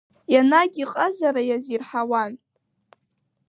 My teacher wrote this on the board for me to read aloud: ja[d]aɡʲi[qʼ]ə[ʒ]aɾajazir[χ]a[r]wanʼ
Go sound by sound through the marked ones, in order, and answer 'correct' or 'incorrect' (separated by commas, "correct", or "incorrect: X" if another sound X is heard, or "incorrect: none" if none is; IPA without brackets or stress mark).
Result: incorrect: n, correct, incorrect: z, incorrect: ħ, incorrect: none